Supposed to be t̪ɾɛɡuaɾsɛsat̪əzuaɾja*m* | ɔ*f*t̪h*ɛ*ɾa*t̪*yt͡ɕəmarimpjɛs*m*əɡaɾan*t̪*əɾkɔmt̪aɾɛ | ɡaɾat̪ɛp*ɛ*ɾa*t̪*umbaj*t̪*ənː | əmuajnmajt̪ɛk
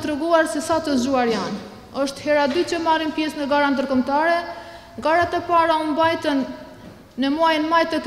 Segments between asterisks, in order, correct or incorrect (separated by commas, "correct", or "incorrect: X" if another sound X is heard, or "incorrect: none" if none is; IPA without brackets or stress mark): incorrect: n, incorrect: ʃ, correct, incorrect: d̪, incorrect: n, incorrect: d̪, incorrect: a, incorrect: none, correct